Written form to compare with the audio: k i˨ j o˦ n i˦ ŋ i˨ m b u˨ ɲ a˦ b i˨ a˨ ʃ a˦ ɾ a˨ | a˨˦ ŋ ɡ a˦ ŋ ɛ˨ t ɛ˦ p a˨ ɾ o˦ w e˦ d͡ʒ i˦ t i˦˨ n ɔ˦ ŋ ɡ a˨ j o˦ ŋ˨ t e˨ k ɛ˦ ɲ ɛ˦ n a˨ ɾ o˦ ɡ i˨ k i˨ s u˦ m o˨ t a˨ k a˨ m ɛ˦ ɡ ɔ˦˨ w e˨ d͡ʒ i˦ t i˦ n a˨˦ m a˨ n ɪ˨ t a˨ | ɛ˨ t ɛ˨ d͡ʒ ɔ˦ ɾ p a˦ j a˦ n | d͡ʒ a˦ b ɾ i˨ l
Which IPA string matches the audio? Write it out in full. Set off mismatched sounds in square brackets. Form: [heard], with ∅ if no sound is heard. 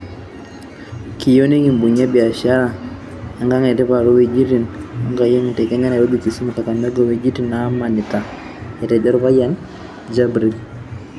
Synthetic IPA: k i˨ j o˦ n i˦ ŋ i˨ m b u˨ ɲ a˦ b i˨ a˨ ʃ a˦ ɾ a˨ | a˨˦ ŋ ɡ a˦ ŋ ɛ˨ t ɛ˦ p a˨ ɾ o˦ w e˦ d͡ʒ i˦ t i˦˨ n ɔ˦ ŋ ɡ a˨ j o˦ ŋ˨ t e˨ k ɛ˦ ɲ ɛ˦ n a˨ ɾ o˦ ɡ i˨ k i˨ s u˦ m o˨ [k] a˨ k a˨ m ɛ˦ ɡ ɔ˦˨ w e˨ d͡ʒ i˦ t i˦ n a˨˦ m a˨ n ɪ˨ t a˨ | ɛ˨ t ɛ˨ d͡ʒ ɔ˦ ɾ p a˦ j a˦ n | d͡ʒ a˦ b ɾ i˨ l